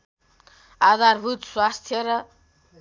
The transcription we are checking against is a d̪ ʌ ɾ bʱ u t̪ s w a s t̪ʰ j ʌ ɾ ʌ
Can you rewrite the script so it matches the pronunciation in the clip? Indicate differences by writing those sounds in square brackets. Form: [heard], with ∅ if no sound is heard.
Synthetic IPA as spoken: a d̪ [a] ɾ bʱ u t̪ s w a s t̪ʰ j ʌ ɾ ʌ